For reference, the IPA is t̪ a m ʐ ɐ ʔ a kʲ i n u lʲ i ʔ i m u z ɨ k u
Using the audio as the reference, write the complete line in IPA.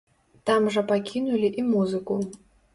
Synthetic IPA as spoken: t̪ a m ʐ ɐ p a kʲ i n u lʲ i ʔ i m u z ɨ k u